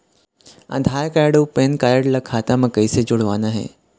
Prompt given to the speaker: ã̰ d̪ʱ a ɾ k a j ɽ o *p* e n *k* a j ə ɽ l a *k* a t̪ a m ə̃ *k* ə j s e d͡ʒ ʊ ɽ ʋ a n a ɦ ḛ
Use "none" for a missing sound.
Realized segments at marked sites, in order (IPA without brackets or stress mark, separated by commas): p, k, kʰ, k